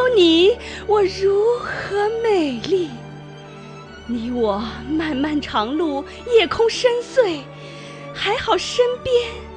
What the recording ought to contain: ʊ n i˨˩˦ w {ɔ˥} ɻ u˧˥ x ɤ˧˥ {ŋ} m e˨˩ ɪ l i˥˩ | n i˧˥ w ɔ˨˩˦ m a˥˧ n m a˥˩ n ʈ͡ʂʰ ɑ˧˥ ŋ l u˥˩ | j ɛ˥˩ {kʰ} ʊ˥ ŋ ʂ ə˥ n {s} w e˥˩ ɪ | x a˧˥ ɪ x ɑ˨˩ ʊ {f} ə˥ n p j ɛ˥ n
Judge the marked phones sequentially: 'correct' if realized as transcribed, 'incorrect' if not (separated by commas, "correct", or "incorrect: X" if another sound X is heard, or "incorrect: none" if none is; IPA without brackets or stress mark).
incorrect: ɔ˨˩, incorrect: none, correct, correct, incorrect: ʂ